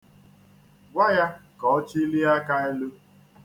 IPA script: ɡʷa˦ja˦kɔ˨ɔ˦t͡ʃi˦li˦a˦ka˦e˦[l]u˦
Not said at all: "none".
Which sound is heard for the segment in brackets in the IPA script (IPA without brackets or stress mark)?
l